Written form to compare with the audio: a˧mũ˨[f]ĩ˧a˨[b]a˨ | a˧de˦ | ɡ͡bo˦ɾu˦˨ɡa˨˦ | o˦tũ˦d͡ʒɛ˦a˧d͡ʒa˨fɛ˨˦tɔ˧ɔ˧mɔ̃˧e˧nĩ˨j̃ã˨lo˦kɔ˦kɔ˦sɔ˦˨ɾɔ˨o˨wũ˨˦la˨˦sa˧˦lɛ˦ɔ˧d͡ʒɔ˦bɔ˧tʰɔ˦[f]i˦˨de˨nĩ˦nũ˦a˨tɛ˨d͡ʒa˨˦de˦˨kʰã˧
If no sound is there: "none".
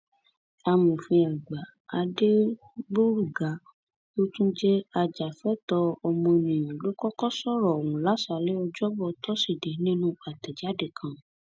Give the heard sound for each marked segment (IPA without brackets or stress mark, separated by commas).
f, ɡ͡b, s